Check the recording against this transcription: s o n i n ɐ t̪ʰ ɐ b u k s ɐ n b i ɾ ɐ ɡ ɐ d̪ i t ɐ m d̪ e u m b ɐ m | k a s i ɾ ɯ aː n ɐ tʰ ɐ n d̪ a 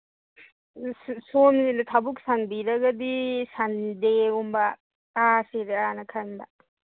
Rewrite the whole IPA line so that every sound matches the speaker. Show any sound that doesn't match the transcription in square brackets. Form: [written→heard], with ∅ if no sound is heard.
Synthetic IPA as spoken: s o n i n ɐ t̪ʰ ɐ b u k s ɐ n b i ɾ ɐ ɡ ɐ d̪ i [t→s] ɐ [m→n] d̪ e u m b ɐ [m→∅] | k a s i ɾ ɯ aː n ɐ [tʰ→kʰ] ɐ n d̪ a